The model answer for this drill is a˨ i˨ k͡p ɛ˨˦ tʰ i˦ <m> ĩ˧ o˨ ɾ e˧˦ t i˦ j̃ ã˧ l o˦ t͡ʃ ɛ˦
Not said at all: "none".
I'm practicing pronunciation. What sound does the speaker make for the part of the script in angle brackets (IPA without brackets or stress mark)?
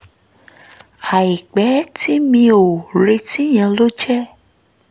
m